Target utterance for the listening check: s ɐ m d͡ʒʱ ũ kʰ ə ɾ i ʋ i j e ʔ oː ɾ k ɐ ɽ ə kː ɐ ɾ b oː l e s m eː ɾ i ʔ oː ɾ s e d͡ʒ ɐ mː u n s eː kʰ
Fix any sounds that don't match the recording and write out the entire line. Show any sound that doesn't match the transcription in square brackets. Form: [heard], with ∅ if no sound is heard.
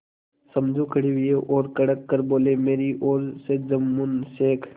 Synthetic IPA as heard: s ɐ m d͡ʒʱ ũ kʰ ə [ɽ] i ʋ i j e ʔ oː ɾ k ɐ ɽ ə kː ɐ ɾ b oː l e [∅] m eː ɾ i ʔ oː ɾ s e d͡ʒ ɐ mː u n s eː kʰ